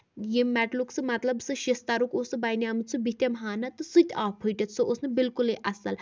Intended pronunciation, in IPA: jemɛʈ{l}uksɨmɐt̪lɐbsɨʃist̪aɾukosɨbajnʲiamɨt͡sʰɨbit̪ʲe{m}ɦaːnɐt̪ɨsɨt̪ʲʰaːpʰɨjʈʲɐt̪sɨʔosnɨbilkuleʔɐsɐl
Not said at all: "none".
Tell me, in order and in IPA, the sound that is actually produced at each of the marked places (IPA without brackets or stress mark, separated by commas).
l, m